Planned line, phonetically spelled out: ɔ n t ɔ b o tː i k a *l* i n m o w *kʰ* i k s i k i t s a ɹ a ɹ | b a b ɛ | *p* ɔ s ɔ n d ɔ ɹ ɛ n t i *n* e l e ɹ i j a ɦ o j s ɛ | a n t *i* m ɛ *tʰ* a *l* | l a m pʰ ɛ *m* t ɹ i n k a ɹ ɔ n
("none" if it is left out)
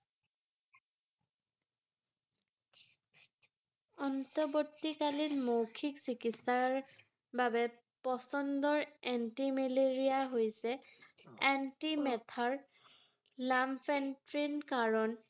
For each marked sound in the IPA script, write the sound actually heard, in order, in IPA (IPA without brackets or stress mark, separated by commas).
l, kʰ, p, m, i, tʰ, ɹ, n